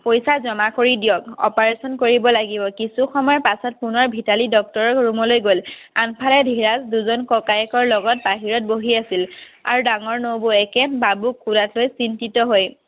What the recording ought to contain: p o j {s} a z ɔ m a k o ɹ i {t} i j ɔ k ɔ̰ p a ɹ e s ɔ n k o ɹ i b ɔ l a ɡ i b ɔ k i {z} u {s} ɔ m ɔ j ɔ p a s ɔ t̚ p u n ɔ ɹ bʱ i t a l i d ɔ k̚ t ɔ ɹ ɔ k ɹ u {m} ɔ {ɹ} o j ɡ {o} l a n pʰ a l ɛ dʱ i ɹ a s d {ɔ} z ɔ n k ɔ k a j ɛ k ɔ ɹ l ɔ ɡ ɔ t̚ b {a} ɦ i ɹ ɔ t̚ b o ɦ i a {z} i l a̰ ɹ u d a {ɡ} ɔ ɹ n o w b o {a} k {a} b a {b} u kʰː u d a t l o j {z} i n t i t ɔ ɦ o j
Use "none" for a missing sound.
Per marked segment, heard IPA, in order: s, d, s, x, m, l, o, u, a, s, ŋ, ɛ, ɛ, b, s

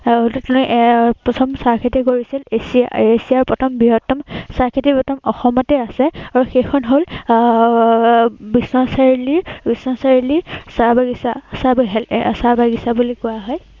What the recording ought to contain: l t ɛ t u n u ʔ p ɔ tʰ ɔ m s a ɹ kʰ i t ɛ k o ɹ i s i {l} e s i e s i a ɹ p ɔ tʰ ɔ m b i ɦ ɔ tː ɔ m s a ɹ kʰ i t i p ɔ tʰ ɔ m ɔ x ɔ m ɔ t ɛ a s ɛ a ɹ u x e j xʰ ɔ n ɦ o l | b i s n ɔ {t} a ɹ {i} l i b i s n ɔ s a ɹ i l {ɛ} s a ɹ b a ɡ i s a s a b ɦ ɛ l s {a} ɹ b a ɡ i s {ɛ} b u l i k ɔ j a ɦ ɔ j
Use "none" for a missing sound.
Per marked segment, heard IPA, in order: l, s, i, i, a, a

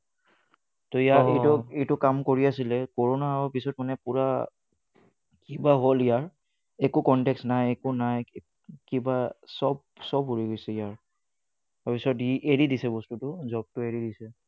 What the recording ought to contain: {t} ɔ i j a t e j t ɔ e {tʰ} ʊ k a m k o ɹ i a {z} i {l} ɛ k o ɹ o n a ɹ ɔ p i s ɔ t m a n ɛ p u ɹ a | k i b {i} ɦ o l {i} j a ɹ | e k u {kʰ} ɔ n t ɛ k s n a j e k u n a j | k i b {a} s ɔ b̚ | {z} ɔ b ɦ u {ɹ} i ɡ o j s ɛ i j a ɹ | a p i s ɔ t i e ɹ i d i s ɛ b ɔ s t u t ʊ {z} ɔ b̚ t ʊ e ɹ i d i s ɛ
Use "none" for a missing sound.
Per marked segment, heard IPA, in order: t, t, s, l, a, i, k, a, s, ɹ, z

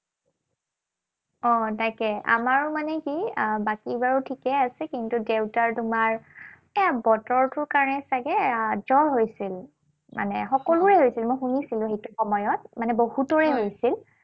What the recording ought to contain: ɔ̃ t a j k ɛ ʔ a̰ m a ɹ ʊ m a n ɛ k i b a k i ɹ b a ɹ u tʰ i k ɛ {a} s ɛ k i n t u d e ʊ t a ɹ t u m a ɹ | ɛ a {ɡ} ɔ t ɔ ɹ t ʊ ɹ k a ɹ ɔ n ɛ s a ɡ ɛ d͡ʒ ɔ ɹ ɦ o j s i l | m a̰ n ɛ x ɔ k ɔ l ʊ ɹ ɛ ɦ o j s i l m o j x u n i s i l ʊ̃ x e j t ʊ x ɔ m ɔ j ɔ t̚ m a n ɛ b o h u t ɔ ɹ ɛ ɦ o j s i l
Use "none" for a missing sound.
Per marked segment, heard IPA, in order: a, b

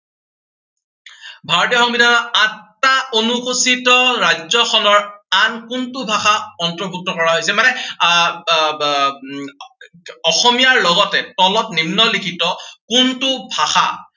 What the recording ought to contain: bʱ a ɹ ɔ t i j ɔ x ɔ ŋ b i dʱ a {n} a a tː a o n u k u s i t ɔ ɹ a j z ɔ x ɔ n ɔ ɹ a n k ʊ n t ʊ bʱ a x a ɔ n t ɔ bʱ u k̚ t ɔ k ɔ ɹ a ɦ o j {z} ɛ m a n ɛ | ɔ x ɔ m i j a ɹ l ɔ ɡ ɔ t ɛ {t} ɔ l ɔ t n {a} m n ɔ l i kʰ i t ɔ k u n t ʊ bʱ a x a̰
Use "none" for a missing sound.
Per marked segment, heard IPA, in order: n, s, t, i

